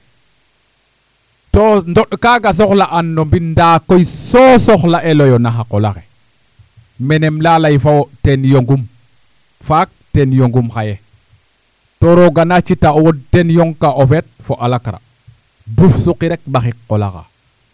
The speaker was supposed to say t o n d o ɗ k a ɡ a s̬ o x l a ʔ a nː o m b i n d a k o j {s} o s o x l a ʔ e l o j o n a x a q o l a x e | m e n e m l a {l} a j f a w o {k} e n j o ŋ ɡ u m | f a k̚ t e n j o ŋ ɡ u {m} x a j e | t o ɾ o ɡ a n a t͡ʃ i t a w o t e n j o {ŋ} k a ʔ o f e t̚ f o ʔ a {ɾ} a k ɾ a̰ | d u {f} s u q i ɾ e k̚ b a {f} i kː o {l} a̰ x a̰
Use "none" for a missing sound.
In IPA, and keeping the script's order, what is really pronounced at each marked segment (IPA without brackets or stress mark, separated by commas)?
s, l, t, m, ŋ, l, f, x, l